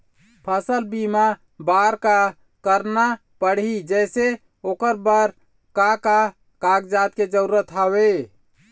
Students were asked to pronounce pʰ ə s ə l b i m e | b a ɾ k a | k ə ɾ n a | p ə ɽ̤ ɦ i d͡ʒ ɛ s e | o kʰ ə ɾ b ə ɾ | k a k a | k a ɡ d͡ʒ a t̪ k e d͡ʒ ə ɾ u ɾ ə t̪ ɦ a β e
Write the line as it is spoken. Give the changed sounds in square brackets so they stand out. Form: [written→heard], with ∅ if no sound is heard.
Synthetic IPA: pʰ ə s ə l b i m [e→a] | b a ɾ k a | k ə ɾ n a | p ə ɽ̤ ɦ i d͡ʒ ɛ s e | o [kʰ→k] ə ɾ b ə ɾ | k a k a | k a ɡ d͡ʒ a t̪ k e d͡ʒ ə ɾ u ɾ ə t̪ ɦ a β e